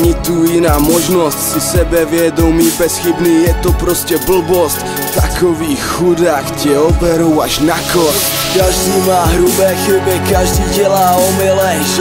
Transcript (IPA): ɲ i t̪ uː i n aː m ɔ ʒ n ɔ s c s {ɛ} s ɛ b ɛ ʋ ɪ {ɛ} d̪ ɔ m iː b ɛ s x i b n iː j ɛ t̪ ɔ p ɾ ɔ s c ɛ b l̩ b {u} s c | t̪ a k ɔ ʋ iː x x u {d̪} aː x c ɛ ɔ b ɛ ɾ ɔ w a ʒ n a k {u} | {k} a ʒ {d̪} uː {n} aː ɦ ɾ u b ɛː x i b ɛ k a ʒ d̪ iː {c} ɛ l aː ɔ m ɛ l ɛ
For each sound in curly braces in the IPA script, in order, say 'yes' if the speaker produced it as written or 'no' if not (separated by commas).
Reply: no, yes, no, yes, no, yes, yes, no, no